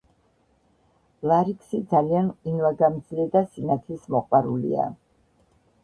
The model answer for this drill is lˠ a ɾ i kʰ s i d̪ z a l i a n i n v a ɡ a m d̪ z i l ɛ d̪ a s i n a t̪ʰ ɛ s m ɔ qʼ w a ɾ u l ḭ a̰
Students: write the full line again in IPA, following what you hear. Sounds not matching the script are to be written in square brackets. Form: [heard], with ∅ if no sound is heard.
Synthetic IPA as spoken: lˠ a ɾ i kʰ s i d̪ z a l i a n i n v a ɡ a m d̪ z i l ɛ d̪ a s i n a t̪ʰ [i] s m ɔ qʼ w a ɾ u l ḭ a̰